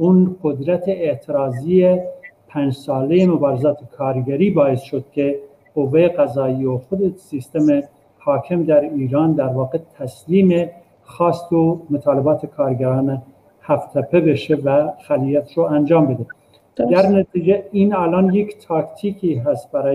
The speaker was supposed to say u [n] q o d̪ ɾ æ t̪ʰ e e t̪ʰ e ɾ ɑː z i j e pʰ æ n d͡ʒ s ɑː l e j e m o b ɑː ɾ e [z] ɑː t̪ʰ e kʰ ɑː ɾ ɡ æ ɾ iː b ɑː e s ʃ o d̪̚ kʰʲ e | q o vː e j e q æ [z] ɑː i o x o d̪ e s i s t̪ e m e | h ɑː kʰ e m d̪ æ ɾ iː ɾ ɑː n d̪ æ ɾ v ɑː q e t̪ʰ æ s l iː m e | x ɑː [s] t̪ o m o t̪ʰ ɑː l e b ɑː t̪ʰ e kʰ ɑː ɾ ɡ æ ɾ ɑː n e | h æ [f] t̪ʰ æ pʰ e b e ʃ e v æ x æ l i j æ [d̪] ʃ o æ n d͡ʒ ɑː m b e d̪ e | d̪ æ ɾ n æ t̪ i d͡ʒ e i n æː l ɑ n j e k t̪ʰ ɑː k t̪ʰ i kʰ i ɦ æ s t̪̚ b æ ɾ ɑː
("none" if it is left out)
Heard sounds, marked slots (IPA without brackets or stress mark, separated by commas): n, z, z, s, f, t̪